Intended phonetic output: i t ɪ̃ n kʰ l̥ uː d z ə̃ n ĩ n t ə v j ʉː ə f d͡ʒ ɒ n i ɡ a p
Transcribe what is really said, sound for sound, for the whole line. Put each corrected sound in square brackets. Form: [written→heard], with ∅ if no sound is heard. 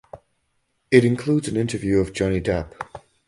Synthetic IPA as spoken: [i→ɪ] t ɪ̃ n kʰ l̥ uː d z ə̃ n [ĩ→ɪ̃] n t ə v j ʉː ə [f→v] d͡ʒ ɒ n i [ɡ→d] a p